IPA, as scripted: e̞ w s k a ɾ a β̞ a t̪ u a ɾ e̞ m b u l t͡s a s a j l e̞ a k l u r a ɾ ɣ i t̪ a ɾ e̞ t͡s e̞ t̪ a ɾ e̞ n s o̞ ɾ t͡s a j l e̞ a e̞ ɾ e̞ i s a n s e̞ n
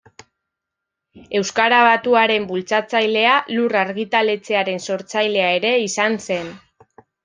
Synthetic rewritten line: e̞ w s k a ɾ a β̞ a t̪ u a ɾ e̞ m b u l t͡s a t͡s a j l e̞ a l u r a ɾ ɣ i t̪ a l e̞ t͡s e̞ a ɾ e̞ n s o̞ ɾ t͡s a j l e̞ a e̞ ɾ e̞ i s a n s e̞ n